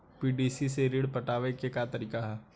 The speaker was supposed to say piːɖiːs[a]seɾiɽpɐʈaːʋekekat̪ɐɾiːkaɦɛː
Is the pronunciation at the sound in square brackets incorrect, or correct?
incorrect